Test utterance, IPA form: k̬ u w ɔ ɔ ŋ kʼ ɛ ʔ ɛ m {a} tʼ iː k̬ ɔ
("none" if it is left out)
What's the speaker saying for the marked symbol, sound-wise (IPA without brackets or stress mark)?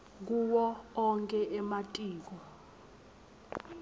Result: a